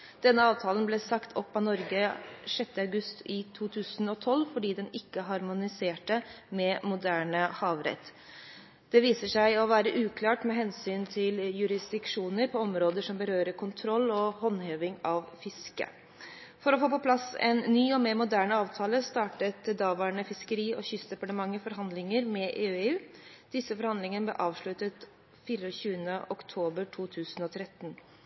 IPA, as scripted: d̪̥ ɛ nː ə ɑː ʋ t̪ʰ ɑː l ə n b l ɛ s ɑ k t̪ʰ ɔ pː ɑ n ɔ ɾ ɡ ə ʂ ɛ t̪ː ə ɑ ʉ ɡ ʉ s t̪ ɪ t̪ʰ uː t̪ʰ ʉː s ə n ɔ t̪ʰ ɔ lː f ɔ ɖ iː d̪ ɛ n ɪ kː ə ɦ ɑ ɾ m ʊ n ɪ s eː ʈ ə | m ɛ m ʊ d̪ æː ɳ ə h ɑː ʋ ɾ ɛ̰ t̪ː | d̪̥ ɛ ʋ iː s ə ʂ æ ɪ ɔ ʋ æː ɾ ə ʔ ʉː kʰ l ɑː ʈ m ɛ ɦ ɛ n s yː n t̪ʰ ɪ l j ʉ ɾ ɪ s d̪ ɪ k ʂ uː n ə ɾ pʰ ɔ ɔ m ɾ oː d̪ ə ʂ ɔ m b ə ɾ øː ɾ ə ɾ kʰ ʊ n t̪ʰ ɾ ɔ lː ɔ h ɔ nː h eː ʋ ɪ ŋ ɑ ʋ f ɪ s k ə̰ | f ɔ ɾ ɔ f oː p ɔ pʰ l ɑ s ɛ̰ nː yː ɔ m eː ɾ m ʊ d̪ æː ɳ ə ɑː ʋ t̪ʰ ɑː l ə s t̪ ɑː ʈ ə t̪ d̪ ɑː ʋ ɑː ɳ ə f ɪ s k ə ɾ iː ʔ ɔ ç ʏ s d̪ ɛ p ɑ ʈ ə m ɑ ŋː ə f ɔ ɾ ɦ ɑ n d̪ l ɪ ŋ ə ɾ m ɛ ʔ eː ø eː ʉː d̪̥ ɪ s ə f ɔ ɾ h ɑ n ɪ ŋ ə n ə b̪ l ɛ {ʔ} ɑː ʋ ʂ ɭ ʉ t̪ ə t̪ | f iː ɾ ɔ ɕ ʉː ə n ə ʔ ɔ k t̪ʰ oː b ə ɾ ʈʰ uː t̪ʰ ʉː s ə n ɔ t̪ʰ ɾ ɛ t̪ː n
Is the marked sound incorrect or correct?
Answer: correct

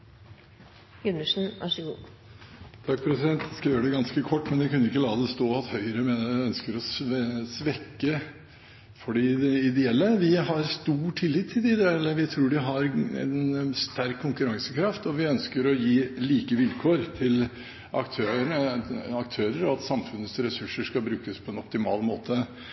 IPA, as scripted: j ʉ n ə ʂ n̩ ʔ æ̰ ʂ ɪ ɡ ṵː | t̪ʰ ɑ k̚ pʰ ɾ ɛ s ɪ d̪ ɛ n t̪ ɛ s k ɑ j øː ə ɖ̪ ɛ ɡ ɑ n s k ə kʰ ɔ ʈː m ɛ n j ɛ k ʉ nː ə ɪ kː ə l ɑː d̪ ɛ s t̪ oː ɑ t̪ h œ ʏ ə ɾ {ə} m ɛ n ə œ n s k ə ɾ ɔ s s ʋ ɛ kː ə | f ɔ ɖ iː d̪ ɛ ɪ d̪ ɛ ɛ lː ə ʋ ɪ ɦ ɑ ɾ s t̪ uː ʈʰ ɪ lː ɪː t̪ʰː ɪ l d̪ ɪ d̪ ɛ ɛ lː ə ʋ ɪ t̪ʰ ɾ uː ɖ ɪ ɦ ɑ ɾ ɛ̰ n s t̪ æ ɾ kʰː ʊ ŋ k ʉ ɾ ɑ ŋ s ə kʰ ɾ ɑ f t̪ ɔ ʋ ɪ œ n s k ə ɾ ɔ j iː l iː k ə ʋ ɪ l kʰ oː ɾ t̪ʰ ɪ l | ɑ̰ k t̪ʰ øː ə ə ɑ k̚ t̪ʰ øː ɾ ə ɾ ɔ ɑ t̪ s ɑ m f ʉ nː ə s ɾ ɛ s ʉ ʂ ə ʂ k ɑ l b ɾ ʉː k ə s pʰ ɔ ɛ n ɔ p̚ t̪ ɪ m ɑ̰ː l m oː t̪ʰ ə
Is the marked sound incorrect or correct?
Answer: correct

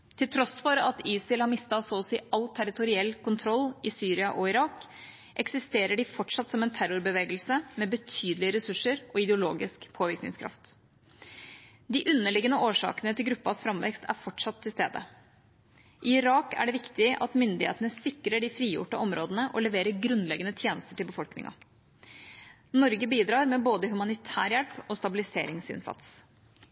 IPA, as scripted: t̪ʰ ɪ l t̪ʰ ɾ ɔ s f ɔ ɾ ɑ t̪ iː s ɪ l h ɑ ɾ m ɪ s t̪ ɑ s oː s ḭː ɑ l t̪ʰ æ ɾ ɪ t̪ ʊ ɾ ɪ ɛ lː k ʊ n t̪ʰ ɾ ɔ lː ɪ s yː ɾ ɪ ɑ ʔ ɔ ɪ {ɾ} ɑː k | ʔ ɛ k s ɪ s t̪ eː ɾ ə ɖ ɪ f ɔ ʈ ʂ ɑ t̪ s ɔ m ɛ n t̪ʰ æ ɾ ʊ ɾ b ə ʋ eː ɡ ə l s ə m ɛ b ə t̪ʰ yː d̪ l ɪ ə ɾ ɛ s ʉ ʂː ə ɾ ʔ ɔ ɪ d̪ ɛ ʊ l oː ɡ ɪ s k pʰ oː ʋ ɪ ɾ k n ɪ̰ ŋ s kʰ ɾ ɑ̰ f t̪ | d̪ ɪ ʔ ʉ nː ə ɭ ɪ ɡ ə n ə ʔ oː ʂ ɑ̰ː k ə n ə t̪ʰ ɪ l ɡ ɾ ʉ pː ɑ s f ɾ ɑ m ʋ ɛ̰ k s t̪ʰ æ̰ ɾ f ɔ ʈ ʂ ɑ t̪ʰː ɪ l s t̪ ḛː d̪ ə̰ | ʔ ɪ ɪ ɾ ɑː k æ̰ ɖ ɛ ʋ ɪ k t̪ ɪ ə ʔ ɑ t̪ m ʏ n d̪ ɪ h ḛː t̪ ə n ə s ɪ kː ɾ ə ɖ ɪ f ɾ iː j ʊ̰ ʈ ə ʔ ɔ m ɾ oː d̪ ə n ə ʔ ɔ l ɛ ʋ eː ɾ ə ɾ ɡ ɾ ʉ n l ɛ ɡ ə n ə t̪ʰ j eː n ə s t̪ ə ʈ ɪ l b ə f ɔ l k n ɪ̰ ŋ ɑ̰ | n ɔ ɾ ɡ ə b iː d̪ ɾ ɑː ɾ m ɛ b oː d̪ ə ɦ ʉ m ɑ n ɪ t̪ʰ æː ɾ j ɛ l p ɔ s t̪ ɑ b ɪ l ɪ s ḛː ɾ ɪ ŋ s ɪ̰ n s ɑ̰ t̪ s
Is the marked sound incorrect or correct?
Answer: correct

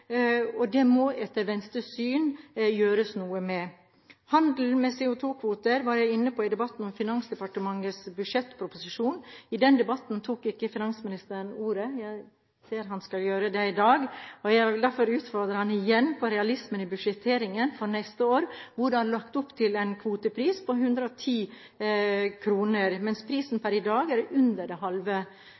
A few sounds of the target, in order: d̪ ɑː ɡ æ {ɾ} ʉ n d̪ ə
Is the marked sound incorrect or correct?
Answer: correct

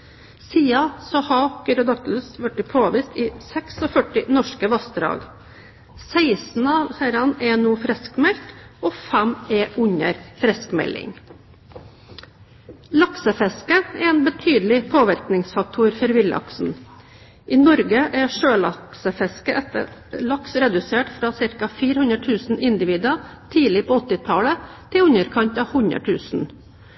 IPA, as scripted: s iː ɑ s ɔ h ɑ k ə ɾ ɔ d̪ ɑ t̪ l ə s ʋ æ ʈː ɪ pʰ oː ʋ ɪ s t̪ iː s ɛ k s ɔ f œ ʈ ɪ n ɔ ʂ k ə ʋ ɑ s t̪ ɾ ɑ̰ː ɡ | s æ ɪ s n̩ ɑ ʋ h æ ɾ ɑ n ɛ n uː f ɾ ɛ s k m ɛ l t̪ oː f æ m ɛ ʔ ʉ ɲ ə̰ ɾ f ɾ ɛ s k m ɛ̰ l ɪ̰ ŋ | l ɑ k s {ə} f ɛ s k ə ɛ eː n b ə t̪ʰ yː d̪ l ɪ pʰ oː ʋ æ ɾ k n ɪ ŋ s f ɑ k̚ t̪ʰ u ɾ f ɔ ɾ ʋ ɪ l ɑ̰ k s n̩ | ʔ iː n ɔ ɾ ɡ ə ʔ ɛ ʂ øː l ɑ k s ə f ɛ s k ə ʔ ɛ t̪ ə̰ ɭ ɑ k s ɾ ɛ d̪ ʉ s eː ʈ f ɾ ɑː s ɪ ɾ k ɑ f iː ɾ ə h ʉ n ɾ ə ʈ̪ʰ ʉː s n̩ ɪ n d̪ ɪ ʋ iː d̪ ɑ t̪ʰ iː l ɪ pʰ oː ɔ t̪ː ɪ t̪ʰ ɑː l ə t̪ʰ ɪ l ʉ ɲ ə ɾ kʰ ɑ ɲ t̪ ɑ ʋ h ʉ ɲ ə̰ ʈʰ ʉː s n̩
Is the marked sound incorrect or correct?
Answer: correct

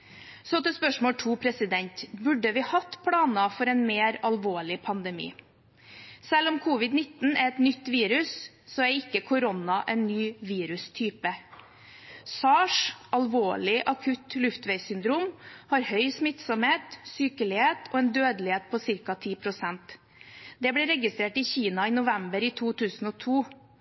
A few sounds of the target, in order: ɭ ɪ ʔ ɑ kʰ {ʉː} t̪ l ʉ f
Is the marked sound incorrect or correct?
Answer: incorrect: ʉ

